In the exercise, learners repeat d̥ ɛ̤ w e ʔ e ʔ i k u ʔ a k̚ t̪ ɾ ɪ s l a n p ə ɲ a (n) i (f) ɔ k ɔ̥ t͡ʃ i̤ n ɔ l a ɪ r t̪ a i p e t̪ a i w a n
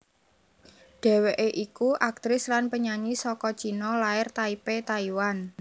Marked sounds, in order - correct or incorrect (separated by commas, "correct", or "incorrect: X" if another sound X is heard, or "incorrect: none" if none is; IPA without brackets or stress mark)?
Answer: incorrect: ɲ, incorrect: s